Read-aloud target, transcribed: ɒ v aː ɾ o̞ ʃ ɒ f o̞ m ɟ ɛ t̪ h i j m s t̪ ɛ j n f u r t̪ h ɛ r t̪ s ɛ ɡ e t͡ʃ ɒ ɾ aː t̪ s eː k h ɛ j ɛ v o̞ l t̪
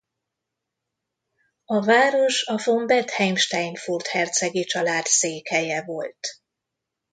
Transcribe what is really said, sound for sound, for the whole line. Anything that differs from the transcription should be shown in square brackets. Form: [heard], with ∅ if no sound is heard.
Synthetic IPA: ɒ v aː ɾ o̞ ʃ ɒ f o̞ m [b] ɛ t̪ h [ɛ] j m [ʃ] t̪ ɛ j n f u r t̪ h ɛ r t̪ s ɛ ɡ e t͡ʃ ɒ [l] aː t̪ s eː k h ɛ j ɛ v o̞ l t̪